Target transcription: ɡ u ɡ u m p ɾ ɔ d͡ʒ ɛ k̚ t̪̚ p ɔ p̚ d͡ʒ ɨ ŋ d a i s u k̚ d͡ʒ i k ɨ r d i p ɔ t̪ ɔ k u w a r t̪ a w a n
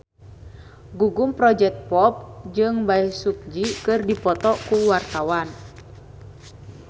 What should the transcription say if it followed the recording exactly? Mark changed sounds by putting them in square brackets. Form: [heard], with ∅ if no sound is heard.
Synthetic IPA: ɡ u ɡ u m p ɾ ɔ d͡ʒ ɛ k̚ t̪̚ p ɔ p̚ d͡ʒ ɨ ŋ [b] a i s u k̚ d͡ʒ i k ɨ r d i p ɔ t̪ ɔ k u w a r t̪ a w a n